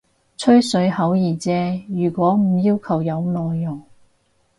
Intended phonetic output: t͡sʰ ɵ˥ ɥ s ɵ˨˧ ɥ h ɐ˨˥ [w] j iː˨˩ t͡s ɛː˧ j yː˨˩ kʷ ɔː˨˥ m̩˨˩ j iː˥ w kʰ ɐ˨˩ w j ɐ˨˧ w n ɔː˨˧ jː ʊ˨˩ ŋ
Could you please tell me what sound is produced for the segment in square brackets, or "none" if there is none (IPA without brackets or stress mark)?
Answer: w